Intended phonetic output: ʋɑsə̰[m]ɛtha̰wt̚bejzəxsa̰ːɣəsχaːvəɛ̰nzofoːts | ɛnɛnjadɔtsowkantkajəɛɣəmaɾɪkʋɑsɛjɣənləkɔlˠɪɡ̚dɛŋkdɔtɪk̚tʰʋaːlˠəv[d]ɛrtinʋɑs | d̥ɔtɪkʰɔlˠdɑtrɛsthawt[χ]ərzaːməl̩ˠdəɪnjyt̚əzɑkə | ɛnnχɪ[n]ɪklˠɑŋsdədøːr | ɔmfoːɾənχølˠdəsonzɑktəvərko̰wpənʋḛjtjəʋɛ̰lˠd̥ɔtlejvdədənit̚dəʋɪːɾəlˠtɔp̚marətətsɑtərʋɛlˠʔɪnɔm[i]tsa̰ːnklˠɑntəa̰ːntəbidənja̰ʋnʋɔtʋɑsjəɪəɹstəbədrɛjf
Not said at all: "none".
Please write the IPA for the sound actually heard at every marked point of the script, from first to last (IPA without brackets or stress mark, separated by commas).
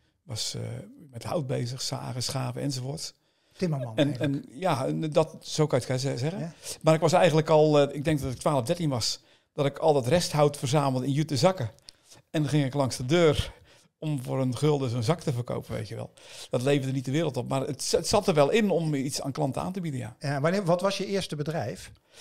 m, d, f, ŋ, i